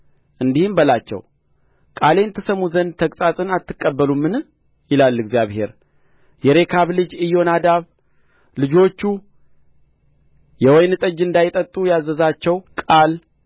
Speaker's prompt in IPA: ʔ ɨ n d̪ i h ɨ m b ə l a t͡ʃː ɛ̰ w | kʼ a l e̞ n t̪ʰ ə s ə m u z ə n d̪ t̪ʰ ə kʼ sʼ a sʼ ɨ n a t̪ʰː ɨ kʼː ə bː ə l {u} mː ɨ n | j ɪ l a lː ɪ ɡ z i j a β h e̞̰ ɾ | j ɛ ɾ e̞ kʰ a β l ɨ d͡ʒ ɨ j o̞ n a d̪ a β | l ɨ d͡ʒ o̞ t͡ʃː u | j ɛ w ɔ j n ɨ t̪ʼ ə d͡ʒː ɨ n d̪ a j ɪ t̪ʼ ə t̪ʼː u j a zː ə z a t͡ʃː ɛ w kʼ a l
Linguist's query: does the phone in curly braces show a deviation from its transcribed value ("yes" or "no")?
no